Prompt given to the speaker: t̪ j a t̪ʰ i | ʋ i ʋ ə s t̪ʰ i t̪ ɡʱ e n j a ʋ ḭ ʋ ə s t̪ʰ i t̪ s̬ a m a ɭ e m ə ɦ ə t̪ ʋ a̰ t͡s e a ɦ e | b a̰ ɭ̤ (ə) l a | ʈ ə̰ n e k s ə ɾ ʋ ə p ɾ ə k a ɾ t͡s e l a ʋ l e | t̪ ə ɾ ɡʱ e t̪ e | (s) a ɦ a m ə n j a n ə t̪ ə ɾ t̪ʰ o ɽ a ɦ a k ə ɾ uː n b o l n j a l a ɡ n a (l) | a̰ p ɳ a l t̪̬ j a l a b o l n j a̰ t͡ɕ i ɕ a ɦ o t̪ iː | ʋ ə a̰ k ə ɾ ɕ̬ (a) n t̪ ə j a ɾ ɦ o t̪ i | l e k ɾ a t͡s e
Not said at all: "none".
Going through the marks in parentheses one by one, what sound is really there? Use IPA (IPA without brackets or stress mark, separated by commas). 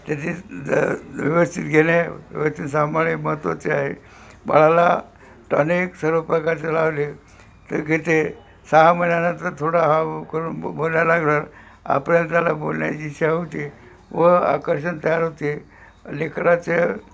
a, s, ɾ, ə